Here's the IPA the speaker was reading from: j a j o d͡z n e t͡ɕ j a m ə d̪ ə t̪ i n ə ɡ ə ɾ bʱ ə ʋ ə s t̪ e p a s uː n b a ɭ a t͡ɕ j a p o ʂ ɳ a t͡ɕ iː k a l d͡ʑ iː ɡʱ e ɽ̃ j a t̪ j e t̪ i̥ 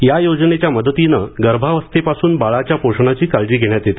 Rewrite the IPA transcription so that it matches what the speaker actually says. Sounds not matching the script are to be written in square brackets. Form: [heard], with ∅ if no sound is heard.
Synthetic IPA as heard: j a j o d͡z n e t͡ɕ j a m ə d̪ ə t̪ i n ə ɡ ə ɾ bʱ [a] ʋ ə s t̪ e p a s uː n b a ɭ a t͡ɕ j a p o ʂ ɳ a t͡ɕ iː k a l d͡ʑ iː ɡʱ e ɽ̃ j a t̪ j e t̪ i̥